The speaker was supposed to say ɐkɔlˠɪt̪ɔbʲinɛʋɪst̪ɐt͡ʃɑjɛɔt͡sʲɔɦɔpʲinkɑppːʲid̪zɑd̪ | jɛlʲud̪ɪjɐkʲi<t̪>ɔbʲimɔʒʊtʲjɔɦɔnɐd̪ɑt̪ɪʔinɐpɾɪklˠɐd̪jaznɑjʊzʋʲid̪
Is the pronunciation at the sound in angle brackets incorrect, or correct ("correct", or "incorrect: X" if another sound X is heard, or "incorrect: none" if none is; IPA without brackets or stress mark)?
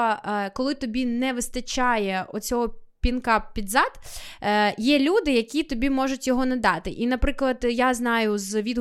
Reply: correct